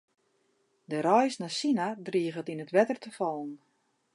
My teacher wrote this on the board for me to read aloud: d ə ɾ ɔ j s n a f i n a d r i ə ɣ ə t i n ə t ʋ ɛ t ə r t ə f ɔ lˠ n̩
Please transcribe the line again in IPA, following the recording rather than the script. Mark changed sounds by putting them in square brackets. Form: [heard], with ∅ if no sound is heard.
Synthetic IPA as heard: d ə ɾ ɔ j s n a [s] i n a d r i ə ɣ ə t i n ə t ʋ ɛ t ə r t ə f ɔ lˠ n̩